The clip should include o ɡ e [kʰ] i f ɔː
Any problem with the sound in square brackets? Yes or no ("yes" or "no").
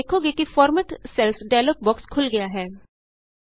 yes